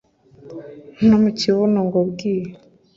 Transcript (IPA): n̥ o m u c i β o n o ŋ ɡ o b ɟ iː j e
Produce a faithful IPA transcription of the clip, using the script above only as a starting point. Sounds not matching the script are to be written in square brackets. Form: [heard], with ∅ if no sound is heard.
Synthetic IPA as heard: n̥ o m u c i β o n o ŋ ɡ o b [ɡ] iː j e